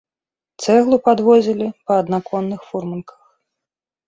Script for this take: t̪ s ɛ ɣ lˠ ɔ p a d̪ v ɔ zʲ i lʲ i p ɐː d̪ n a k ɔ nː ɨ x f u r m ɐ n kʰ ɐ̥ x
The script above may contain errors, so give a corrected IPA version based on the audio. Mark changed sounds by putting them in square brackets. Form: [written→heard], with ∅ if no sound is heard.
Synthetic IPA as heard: t̪ s ɛ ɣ lˠ [ɔ→u] p a d̪ v ɔ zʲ i lʲ i p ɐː d̪ n a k ɔ nː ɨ x f u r m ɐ n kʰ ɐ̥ x